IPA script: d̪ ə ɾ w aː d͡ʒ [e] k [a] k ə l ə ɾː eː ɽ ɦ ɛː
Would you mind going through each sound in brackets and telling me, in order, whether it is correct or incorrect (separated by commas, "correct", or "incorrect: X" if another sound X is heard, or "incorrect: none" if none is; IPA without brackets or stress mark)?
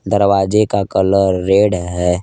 correct, correct